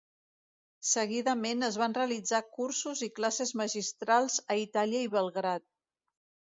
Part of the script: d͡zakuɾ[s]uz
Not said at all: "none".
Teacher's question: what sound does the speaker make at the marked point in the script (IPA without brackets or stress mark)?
s